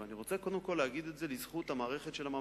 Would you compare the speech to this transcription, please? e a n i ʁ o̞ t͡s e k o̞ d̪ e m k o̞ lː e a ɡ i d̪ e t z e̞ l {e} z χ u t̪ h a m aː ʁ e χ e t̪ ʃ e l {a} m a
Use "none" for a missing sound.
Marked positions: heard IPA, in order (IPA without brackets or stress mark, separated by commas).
i, a